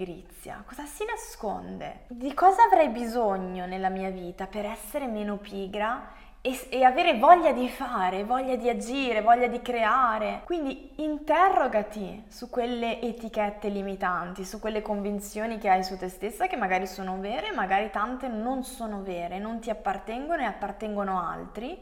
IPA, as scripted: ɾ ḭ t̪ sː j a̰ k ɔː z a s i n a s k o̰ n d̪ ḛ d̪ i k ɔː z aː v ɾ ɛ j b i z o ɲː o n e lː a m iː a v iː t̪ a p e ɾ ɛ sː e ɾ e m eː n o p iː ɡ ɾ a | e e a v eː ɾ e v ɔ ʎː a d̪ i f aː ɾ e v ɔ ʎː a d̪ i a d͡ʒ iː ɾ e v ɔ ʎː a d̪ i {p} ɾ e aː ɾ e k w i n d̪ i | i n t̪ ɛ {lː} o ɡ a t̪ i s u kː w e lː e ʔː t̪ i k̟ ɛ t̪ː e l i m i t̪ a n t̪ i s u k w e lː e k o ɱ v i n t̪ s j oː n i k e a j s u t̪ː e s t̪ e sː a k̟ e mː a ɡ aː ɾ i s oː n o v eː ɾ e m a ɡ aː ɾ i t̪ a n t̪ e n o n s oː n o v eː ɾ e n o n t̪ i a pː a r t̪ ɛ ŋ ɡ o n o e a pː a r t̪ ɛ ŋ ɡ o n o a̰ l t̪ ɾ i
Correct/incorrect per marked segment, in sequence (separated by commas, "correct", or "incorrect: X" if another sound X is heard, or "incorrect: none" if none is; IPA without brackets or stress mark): incorrect: k, incorrect: rː